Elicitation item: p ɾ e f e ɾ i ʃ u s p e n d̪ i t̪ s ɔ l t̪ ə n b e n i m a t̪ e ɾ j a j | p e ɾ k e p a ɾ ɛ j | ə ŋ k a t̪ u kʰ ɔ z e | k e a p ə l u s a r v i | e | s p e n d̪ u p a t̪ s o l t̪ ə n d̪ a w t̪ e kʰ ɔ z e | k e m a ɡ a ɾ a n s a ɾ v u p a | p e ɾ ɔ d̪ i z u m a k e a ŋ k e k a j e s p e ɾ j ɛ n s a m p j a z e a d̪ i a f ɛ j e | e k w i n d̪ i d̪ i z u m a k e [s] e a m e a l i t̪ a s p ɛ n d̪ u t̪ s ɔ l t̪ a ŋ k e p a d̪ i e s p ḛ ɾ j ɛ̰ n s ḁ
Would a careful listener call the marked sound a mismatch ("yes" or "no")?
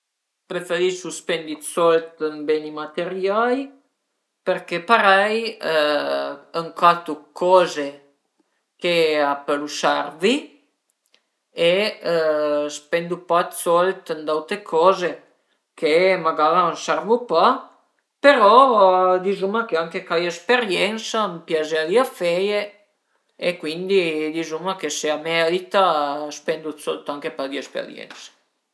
no